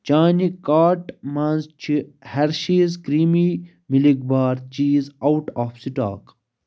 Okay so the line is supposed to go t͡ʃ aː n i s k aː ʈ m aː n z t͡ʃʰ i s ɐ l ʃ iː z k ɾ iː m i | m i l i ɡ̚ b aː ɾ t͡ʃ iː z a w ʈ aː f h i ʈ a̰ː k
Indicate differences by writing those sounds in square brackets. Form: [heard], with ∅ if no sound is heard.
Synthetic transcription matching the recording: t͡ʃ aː n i [∅] k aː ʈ m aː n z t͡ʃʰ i [h] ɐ [ɾ] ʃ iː z k ɾ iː m i | m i l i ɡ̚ b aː ɾ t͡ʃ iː z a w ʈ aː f [s] i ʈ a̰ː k